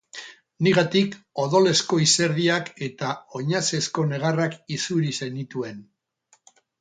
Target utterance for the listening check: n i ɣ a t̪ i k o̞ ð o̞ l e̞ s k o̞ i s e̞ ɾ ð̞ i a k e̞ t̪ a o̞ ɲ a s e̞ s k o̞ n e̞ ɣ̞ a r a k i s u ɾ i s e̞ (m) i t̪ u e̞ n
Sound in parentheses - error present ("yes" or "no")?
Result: yes